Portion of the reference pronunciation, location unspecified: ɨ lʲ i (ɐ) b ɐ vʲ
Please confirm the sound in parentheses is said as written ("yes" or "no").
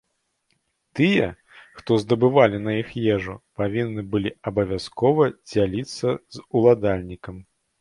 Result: yes